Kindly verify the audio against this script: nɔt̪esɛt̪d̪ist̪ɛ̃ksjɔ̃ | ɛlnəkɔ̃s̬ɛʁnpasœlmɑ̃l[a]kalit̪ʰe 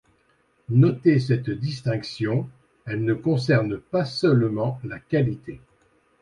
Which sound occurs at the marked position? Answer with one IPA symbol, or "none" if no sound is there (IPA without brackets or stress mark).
a